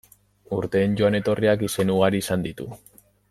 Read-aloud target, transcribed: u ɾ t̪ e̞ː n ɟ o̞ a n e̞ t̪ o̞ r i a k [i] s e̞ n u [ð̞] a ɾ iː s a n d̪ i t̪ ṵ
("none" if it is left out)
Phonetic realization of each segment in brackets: i, ɣ̞

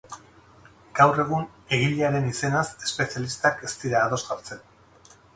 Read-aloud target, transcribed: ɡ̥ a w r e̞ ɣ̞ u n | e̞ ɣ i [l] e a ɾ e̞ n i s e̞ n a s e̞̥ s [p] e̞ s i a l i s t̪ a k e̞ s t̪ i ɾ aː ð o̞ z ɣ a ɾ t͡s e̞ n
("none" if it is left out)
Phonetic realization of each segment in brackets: ʎ, p

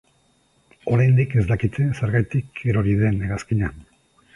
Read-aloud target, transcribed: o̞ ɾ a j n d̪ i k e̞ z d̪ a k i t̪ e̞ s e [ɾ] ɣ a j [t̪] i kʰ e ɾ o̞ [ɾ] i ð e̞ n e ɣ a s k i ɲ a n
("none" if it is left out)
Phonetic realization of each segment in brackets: ɾ, t̪, ɾ

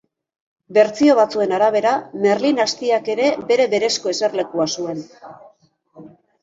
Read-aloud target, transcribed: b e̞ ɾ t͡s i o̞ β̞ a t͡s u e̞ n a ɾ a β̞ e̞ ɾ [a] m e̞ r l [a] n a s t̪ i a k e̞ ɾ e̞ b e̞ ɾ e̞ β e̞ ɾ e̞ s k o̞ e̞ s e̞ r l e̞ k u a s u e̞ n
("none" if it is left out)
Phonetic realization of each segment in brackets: a, i

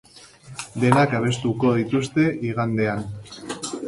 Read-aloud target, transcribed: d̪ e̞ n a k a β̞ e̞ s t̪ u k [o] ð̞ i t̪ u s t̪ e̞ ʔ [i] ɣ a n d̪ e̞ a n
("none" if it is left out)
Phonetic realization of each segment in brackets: o, i

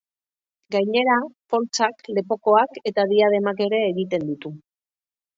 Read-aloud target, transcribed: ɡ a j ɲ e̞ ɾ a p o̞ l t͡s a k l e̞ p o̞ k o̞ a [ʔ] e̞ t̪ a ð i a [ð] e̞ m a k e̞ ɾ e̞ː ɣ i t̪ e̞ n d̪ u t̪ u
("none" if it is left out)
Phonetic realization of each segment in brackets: k, ð

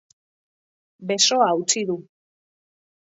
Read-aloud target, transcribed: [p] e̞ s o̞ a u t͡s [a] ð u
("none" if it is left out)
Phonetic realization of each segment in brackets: b, i

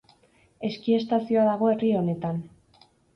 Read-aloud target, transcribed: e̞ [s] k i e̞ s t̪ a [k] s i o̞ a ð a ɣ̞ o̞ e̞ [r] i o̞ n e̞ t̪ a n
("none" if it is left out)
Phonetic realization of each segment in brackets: s, none, r

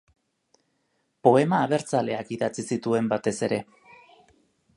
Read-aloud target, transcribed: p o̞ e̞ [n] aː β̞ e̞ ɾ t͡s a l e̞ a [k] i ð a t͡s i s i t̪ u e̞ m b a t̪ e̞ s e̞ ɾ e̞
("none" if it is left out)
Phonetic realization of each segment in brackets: m, k

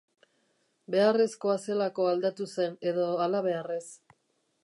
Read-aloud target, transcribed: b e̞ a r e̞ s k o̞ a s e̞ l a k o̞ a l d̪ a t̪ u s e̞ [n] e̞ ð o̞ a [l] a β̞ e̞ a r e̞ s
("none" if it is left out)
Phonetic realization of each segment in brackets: n, l

